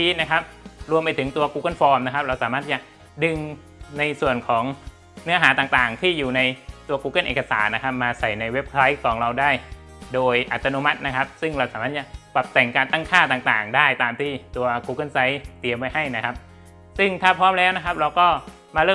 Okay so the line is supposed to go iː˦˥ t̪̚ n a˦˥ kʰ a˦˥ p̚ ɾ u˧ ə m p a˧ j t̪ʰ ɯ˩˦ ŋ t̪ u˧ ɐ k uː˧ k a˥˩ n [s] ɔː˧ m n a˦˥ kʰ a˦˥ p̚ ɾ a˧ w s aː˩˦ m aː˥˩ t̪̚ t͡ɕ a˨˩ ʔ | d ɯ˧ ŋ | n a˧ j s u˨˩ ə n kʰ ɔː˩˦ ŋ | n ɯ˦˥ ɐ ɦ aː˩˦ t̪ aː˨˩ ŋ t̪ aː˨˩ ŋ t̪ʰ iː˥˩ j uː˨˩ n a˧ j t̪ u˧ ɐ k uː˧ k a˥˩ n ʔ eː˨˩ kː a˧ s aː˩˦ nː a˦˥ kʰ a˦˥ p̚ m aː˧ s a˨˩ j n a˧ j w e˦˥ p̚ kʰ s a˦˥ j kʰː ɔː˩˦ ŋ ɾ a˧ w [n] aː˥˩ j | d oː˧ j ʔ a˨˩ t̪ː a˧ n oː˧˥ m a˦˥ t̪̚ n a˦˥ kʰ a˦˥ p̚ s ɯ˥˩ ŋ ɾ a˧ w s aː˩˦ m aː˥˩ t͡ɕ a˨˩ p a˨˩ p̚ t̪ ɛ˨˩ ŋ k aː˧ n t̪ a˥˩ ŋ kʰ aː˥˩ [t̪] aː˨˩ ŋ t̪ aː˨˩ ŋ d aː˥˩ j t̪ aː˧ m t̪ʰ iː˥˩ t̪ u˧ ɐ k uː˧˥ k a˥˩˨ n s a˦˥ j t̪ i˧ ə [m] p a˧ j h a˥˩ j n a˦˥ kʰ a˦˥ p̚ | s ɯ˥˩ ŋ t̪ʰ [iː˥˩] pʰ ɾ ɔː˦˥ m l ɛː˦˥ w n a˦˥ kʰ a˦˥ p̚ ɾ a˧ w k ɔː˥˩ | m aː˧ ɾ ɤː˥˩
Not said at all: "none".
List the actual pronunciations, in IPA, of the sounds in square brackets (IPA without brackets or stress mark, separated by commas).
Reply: f, d, t̪, m, aː˥˩